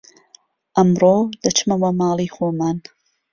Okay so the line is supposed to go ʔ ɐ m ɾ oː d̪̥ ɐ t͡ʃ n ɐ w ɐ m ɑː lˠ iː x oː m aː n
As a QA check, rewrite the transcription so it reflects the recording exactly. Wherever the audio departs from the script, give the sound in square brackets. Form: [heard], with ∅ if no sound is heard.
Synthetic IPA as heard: ʔ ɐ m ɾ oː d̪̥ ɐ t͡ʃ [m] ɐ w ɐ m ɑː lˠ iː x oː m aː n